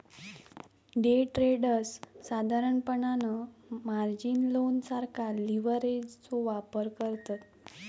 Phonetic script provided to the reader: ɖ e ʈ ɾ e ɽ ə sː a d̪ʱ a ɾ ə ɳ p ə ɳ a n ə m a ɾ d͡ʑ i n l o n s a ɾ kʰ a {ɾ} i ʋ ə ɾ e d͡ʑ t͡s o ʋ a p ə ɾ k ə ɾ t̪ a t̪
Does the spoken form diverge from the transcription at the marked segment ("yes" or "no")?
yes